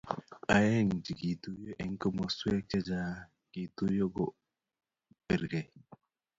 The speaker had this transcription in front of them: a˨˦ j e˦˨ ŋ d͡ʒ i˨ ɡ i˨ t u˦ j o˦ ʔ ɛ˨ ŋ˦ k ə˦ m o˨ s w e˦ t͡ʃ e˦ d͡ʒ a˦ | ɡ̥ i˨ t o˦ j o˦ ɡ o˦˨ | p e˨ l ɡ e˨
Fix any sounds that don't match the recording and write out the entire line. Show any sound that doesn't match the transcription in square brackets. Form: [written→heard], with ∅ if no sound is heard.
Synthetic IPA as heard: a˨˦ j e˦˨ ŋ d͡ʒ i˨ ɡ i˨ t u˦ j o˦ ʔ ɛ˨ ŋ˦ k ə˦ m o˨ s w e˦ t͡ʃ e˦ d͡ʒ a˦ | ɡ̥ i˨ t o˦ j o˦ ɡ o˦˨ | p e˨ [l→ɾ] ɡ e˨